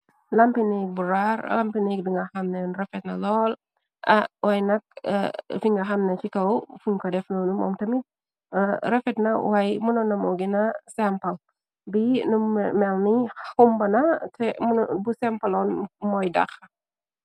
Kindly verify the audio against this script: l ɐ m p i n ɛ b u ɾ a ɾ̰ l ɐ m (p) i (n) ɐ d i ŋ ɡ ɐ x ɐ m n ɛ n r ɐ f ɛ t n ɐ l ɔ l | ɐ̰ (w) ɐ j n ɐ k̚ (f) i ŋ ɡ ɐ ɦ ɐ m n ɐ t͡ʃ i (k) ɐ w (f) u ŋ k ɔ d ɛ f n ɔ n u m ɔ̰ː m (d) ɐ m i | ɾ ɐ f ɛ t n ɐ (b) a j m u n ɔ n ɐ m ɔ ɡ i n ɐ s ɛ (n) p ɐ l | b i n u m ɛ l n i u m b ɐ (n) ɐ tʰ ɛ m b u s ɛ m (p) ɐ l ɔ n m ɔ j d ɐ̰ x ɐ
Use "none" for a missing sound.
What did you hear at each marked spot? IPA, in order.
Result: p, n, w, f, k, f, t, w, m, n, p

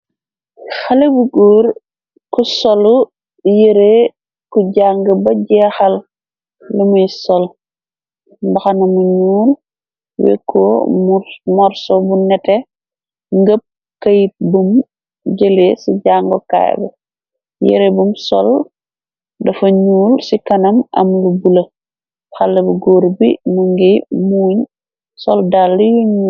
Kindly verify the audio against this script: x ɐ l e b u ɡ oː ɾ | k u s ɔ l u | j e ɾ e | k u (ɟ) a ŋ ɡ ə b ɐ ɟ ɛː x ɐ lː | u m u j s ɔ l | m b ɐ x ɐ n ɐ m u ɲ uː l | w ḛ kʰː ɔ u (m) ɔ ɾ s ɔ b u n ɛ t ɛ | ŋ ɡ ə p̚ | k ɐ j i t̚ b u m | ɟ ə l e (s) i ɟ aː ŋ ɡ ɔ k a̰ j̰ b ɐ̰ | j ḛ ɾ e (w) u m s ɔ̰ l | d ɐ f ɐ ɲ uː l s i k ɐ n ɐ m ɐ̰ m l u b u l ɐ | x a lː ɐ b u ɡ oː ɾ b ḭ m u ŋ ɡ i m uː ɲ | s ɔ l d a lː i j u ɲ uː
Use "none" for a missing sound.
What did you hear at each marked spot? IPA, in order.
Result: ɟ, m, s, b

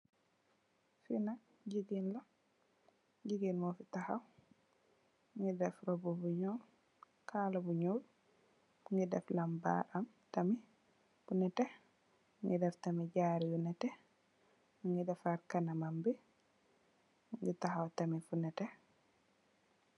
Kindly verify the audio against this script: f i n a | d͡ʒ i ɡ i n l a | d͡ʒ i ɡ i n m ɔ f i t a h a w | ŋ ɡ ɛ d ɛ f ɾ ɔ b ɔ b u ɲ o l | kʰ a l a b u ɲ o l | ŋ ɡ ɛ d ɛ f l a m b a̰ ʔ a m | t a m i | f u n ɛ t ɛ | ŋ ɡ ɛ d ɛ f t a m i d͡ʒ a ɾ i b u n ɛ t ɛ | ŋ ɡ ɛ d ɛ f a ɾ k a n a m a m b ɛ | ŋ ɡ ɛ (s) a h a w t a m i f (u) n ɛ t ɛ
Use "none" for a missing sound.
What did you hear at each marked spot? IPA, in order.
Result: t, u

